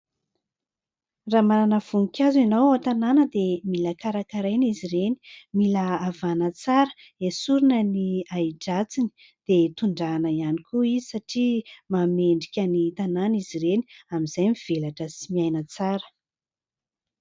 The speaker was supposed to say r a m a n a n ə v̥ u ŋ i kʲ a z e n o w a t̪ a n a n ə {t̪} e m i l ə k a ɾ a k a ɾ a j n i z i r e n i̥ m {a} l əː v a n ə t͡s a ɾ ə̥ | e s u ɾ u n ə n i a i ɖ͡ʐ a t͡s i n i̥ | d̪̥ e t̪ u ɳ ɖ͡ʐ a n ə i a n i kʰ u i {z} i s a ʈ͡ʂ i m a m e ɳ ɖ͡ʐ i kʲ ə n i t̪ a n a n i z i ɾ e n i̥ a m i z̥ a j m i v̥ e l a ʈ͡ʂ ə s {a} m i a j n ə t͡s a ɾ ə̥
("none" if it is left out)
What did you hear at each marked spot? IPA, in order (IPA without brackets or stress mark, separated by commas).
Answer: d̪, i, z, i